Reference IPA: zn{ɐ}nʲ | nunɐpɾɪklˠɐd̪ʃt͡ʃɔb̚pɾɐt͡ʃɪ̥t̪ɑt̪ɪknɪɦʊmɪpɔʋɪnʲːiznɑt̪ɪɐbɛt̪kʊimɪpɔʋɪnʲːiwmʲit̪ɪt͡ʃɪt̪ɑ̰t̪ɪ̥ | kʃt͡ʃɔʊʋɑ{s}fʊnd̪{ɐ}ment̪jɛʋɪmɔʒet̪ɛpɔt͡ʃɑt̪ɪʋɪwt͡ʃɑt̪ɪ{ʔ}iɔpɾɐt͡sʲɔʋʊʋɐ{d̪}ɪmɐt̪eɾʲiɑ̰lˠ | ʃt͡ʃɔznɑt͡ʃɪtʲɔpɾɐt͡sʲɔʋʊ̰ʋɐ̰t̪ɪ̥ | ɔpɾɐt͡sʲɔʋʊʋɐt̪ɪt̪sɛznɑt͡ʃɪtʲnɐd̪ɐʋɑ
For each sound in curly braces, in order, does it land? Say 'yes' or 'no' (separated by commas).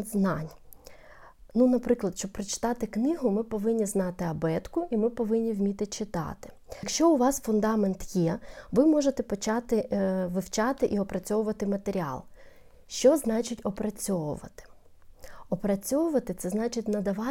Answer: no, yes, no, yes, no